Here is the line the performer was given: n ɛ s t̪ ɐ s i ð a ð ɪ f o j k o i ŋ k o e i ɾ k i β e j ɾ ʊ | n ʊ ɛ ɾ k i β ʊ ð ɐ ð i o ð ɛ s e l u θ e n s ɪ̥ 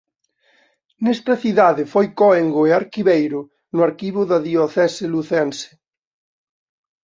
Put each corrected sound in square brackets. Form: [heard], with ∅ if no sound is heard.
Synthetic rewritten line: n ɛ s t̪ ɐ [θ] i ð a ð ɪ f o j k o [e] ŋ [ɡ] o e [a] ɾ k i β e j ɾ ʊ | n ʊ [a] ɾ k i β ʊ ð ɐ ð i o [θ] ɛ s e l u θ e n s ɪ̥

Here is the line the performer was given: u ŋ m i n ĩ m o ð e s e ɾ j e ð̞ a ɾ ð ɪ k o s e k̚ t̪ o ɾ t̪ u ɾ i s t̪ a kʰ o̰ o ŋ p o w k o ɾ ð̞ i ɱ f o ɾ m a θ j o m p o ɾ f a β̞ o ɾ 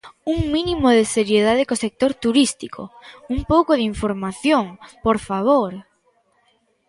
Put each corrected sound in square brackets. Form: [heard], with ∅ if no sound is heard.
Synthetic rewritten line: u ŋ m i n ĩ m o ð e s e ɾ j e ð̞ a [∅] ð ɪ k o s e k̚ t̪ o ɾ t̪ u ɾ i s t̪ [i] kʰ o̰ [u] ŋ p o w k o [∅] ð̞ i ɱ f o ɾ m a θ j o [ŋ] p o ɾ f a β̞ o ɾ

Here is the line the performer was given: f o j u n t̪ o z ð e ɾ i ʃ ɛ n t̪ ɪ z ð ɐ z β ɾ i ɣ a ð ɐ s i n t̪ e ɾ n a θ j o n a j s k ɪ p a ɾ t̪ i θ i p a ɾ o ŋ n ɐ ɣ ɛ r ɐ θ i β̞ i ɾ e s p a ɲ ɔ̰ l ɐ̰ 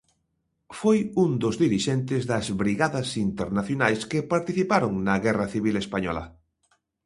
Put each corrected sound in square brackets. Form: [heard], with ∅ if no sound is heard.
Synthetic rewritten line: f o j u n [d̪] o z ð [i] ɾ i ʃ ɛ n t̪ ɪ z ð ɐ z β ɾ i ɣ a ð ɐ s i n t̪ e ɾ n a θ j o n a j s k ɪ p a ɾ t̪ i θ i p a ɾ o ŋ n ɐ ɣ ɛ r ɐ θ i β̞ i [l] e s p a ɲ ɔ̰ l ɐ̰

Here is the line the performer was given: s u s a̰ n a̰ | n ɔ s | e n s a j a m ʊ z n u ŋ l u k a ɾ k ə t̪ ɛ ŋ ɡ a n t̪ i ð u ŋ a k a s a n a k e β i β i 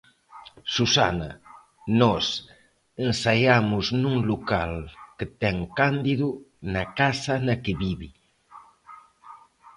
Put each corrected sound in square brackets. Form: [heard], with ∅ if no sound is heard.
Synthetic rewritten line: s u s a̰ n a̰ | n ɔ s | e n s a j a m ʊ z n u ŋ l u k a [l] k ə t̪ ɛ ŋ [k] a n [d̪] i ð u [n] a k a s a n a k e β i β i

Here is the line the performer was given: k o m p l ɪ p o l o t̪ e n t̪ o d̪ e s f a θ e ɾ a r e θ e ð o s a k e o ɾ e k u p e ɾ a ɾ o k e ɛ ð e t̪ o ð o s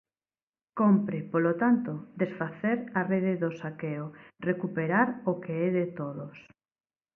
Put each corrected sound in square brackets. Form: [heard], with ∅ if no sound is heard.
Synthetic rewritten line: k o m p [ɾ] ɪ p o l o t̪ [a] n t̪ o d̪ e s f a θ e ɾ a r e [ð] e ð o s a k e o [r] e k u p e ɾ a ɾ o k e ɛ ð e t̪ o ð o s

